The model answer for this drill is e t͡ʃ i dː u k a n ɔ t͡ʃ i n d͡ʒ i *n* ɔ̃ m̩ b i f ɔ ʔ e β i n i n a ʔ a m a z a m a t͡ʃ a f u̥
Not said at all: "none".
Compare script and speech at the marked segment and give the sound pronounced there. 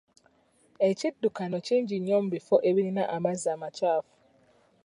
ɲ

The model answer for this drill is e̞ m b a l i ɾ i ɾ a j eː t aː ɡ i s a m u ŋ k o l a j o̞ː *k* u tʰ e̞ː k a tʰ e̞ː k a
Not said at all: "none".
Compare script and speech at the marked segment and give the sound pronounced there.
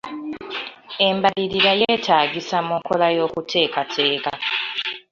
k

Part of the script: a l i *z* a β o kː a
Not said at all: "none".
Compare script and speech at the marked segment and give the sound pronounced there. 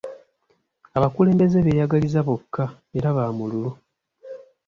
z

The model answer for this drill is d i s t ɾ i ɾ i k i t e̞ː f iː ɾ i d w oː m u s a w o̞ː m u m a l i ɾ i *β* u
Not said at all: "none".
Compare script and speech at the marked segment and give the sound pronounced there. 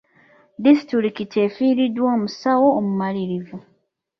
v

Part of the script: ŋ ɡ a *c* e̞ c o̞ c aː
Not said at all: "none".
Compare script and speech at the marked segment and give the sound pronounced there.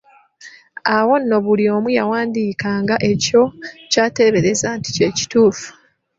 ʔ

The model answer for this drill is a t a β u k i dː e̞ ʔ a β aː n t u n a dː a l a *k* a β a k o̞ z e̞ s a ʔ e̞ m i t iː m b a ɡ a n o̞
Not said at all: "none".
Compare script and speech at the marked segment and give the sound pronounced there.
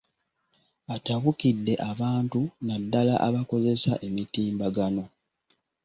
ʔ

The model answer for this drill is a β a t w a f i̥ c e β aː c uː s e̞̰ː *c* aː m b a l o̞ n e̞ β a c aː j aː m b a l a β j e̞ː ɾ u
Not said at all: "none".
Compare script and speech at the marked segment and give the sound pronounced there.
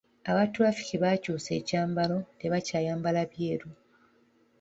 c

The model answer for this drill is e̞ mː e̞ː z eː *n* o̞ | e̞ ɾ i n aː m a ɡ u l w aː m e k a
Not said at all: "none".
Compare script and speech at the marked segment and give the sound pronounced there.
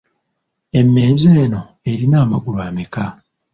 n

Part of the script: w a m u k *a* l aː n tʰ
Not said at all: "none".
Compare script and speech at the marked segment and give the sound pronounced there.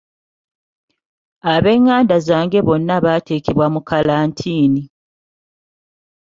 a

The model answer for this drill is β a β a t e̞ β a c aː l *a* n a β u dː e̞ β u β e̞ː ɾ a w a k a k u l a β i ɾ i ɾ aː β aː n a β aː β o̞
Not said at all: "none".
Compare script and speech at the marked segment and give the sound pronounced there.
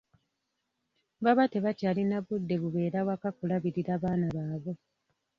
i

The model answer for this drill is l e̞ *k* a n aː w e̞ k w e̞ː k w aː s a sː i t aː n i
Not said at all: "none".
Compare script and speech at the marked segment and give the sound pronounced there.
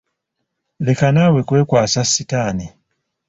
k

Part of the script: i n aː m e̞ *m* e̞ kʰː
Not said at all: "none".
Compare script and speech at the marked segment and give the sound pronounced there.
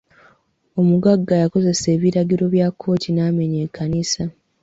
ɲ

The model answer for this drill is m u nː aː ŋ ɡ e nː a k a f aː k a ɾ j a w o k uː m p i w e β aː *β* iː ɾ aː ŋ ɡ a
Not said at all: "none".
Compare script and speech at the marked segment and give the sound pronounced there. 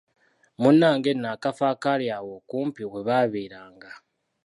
β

